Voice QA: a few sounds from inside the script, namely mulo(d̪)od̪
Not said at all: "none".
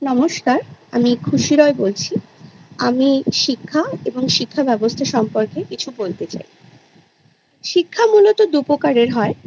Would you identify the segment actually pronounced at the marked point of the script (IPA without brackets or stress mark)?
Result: t̪